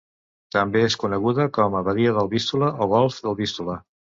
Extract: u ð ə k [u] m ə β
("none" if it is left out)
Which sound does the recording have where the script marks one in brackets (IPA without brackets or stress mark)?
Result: ɔ